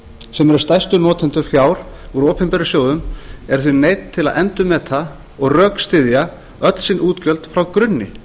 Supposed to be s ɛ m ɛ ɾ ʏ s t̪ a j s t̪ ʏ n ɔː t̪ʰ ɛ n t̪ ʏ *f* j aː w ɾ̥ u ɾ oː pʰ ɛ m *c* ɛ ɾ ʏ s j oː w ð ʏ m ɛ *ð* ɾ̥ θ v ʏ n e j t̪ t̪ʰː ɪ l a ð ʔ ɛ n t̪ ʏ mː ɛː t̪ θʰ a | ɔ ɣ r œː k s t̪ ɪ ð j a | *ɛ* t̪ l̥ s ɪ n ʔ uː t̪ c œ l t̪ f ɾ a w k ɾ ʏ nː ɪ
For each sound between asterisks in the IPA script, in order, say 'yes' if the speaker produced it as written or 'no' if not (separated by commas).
yes, no, no, no